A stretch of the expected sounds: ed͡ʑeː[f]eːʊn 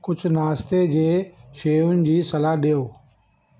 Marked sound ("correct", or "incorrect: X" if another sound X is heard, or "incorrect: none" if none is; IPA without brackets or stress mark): incorrect: ʃ